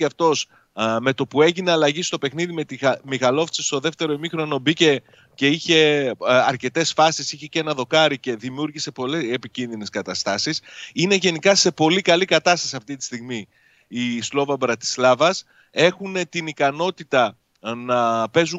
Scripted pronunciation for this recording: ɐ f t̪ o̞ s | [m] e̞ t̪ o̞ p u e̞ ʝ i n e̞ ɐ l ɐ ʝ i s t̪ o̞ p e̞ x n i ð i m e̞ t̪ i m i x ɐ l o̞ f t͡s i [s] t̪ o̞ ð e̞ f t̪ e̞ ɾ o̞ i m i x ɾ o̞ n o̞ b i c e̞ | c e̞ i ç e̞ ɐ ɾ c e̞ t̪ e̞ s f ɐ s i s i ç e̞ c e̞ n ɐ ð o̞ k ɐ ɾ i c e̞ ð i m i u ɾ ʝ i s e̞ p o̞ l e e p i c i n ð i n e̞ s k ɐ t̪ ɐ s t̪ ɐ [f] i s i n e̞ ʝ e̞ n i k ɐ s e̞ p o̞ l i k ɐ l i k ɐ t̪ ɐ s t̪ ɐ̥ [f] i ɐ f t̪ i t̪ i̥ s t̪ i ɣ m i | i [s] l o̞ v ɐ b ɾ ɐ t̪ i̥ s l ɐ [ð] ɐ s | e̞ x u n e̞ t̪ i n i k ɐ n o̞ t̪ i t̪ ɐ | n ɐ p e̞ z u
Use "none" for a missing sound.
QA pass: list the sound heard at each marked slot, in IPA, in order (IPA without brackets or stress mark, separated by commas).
m, s, s, s, s, v